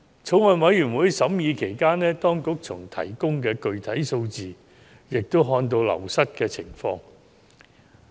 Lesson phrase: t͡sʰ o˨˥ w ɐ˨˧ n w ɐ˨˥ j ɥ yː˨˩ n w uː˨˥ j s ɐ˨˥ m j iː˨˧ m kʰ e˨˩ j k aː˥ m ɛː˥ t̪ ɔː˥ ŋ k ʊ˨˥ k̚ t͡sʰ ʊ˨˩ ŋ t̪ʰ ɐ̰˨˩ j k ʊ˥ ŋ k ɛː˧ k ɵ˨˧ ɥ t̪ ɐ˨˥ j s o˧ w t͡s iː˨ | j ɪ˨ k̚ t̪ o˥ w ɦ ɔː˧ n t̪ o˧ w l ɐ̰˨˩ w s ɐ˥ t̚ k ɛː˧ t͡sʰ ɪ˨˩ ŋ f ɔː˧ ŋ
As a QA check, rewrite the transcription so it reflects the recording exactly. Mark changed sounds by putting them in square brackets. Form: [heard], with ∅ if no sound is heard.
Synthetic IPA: t͡sʰ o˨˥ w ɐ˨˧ n w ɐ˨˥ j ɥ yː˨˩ n w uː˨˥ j s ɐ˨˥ m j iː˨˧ [∅] kʰ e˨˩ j k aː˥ [n] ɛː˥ t̪ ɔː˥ ŋ k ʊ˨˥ k̚ t͡sʰ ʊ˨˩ ŋ t̪ʰ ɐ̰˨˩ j k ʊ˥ ŋ k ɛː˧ k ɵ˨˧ ɥ [t̪ʰ] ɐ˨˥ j s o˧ w t͡s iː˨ | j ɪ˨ k̚ t̪ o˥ w ɦ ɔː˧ n t̪ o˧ w l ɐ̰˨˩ w s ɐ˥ t̚ k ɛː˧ t͡sʰ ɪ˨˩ ŋ f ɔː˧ ŋ

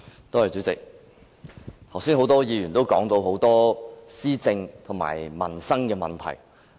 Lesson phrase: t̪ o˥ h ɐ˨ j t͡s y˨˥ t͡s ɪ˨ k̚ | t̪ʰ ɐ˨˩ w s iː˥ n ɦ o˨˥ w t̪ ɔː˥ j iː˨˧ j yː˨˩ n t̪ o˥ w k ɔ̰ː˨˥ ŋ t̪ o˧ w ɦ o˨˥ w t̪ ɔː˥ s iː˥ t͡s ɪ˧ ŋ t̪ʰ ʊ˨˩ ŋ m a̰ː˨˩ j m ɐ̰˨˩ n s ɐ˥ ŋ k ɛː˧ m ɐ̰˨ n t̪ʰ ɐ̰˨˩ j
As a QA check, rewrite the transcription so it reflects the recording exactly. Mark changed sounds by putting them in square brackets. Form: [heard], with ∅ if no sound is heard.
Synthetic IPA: t̪ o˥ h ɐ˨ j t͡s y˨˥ t͡s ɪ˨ k̚ | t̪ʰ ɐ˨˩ w s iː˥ n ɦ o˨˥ w t̪ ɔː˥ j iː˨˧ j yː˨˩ n t̪ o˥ w k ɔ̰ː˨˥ ŋ t̪ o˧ w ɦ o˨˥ w t̪ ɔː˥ s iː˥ t͡s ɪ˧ ŋ t̪ʰ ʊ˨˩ ŋ m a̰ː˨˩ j m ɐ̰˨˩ n s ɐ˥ ŋ k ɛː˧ m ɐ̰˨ n t̪ʰ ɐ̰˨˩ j

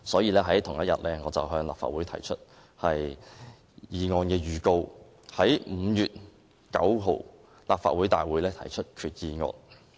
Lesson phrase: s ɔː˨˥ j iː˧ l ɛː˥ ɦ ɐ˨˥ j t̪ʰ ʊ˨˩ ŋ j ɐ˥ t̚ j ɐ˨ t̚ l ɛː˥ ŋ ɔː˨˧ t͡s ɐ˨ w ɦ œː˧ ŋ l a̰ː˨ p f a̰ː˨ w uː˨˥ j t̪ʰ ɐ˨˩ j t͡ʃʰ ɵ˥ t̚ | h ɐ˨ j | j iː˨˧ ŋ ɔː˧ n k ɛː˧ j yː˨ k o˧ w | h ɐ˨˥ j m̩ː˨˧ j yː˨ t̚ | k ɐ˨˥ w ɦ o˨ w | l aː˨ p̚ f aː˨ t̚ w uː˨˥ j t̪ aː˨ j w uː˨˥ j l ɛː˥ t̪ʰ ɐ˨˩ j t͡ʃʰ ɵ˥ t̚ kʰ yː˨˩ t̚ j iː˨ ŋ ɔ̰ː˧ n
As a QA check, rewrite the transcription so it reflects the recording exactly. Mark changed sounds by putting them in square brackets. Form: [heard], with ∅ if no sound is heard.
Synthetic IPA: s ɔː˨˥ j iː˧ l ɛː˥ ɦ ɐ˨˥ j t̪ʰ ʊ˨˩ ŋ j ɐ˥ t̚ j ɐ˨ t̚ l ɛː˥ ŋ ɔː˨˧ t͡s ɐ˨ w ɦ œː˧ ŋ l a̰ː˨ p f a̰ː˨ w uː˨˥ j t̪ʰ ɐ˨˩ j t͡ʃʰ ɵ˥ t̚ | h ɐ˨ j | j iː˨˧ ŋ ɔː˧ n k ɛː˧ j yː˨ k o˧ w | h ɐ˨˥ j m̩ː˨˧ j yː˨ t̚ | k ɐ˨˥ w ɦ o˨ w | l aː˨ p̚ f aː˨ t̚ w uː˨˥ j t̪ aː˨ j w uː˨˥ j l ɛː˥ t̪ʰ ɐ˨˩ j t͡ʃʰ ɵ˥ t̚ kʰ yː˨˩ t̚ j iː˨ ŋ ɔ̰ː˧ n

